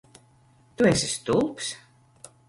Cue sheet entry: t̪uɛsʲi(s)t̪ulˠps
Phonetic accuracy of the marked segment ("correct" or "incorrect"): correct